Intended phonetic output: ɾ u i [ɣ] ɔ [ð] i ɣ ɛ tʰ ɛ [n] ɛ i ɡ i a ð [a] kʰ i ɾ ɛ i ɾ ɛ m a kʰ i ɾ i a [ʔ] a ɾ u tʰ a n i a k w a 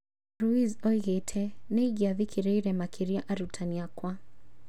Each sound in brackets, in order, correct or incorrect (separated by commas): incorrect, incorrect, correct, incorrect, correct